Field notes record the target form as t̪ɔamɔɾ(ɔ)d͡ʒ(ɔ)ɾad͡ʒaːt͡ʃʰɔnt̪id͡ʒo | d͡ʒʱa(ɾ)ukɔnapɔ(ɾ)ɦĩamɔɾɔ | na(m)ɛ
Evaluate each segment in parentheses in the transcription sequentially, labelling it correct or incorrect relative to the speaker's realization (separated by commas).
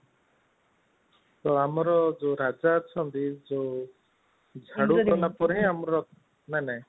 correct, incorrect, incorrect, correct, incorrect